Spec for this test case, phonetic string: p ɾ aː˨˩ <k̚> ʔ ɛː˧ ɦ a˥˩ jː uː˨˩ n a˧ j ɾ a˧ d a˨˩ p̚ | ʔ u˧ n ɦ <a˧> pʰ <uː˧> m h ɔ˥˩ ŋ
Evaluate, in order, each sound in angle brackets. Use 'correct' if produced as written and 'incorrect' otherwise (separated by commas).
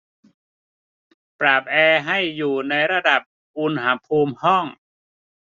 incorrect, incorrect, correct